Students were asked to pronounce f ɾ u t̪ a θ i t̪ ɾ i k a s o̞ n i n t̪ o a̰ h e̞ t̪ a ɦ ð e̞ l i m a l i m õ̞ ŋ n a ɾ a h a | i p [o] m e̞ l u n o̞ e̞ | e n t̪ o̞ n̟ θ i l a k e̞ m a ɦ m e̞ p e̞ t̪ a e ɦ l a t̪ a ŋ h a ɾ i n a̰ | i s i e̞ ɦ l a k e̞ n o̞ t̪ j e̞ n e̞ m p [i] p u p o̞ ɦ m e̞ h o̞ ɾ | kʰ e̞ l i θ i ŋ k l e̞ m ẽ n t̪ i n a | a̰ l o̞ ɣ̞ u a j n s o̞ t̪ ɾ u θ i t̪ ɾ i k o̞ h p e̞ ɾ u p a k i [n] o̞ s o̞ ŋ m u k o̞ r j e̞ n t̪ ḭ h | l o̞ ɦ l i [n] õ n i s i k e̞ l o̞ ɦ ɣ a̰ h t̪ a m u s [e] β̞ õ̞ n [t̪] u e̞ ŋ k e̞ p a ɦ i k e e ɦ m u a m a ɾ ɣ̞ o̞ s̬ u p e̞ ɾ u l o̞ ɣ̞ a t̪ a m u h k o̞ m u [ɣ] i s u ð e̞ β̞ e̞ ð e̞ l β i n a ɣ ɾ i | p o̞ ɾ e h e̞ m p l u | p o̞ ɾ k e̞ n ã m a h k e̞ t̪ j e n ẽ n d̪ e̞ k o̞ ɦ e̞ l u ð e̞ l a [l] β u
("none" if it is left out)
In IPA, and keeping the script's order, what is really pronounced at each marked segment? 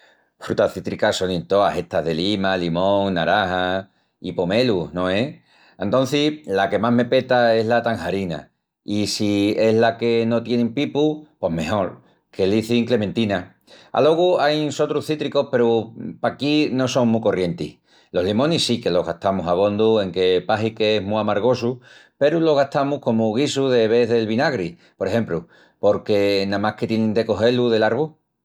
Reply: o, i, n, m, a, d̪, ɣ, ɾ

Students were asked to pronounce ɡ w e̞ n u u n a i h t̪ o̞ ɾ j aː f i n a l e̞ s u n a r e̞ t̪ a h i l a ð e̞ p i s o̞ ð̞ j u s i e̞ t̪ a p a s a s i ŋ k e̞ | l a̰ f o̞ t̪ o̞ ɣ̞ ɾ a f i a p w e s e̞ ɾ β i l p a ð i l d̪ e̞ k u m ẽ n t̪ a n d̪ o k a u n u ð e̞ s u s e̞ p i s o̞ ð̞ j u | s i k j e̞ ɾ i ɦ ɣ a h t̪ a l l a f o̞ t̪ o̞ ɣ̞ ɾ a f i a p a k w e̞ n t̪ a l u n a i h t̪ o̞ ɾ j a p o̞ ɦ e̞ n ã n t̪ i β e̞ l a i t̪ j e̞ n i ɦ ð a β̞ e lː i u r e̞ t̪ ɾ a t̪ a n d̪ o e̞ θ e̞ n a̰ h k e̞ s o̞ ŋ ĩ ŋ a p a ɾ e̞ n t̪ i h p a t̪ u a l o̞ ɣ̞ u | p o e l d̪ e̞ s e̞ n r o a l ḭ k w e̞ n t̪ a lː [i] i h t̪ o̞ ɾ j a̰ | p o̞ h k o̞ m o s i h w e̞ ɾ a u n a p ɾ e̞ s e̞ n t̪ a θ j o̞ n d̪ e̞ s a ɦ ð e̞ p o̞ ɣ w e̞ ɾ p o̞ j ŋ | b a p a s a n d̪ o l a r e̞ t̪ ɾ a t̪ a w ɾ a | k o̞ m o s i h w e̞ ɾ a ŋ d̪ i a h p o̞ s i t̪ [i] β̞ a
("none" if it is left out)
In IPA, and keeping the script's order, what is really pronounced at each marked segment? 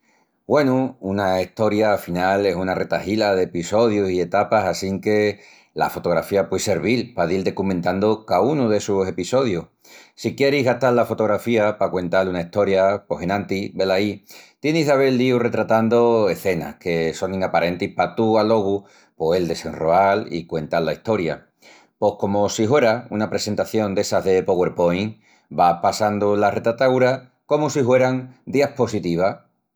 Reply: a, i

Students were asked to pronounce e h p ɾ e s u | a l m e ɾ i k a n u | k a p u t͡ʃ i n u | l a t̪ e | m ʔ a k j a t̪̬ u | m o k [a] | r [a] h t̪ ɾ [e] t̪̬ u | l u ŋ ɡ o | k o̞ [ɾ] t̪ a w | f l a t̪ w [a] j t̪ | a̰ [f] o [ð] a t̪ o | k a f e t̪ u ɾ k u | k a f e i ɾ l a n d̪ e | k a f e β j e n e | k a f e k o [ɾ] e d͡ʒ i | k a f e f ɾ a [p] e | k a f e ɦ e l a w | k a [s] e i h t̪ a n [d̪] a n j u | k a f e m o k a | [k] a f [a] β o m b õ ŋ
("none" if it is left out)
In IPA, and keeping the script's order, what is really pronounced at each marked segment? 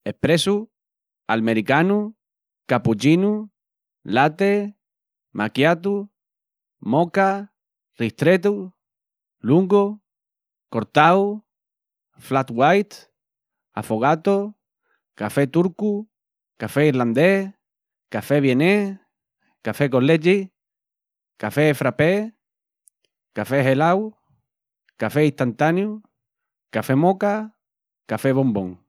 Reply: a, i, e, ɾ, a, f, ɣ, l, p, f, t̪, k, e

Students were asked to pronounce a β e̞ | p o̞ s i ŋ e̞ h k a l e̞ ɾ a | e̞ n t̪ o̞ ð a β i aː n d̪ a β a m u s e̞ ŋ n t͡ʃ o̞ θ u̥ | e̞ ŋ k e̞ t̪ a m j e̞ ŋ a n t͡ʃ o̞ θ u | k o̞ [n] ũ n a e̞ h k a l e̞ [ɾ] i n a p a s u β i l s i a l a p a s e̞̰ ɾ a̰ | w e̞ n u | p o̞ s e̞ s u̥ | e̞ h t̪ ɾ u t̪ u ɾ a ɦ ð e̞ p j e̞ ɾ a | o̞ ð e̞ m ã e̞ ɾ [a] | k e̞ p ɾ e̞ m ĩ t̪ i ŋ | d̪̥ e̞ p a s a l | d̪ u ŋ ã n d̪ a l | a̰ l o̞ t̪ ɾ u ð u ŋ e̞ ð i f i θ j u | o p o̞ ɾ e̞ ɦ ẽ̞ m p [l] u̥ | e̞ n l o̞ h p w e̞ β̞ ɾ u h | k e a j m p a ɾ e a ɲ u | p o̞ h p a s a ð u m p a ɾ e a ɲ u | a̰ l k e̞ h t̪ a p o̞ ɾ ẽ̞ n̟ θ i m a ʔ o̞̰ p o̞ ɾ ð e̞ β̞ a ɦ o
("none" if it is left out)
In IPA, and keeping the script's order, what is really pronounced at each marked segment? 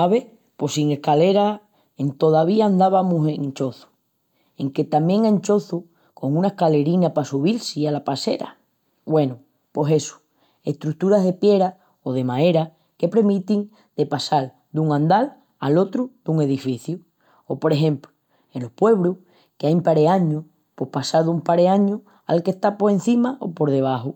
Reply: ŋ, ɾ, a, l

